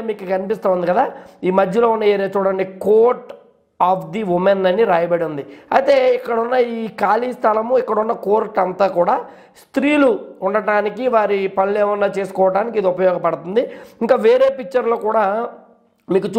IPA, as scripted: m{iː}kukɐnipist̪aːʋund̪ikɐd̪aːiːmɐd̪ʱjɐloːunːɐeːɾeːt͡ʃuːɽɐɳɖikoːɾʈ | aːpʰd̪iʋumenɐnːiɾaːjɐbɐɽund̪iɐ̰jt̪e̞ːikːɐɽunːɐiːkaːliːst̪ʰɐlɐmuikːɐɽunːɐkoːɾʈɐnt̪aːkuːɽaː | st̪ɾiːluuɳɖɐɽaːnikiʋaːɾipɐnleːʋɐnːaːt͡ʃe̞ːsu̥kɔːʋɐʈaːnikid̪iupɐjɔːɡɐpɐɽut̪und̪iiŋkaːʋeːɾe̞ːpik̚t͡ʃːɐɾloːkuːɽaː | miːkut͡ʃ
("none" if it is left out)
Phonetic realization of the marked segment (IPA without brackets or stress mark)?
iː